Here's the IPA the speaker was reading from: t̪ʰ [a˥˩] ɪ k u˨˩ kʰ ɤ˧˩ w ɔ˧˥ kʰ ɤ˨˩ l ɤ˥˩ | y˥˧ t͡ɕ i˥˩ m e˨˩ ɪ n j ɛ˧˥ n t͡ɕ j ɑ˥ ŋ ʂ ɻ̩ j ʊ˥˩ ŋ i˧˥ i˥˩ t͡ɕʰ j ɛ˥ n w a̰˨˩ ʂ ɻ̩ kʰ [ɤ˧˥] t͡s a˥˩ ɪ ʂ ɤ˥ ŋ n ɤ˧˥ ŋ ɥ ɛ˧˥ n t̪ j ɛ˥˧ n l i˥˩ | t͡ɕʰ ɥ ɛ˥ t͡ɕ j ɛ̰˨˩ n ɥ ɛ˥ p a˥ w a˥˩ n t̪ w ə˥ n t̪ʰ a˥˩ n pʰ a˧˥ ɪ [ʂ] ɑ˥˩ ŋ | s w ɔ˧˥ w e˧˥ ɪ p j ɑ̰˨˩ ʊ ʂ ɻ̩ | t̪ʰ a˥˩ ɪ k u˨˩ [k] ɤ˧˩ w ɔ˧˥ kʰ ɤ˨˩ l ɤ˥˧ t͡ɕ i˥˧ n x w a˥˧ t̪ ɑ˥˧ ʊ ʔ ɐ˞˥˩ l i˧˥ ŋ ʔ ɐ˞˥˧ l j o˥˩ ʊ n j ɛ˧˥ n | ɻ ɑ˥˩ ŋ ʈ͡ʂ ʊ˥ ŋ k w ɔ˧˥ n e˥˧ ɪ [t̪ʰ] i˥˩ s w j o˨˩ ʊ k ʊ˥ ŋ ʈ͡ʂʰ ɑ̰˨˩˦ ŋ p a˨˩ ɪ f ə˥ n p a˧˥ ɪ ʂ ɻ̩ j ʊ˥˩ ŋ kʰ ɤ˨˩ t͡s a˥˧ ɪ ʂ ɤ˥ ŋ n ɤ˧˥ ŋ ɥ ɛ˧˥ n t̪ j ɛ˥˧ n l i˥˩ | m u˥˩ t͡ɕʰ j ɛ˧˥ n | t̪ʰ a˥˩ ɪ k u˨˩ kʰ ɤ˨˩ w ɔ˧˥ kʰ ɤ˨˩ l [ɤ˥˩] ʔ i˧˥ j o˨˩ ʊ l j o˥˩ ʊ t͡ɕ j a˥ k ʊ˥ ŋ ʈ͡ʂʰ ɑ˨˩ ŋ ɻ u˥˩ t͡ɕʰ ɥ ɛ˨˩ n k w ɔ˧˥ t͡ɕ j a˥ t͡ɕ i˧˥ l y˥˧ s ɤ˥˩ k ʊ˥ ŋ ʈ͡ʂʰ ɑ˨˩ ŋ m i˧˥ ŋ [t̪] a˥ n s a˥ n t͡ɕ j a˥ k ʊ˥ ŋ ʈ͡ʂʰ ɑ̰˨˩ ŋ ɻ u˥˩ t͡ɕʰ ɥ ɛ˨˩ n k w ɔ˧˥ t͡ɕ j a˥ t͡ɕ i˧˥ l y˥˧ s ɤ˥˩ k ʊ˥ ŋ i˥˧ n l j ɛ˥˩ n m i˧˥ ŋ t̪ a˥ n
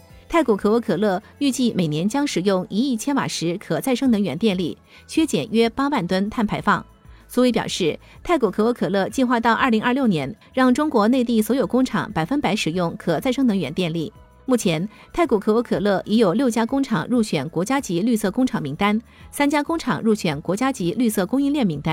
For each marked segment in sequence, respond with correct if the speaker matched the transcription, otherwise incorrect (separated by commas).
correct, incorrect, incorrect, incorrect, incorrect, correct, correct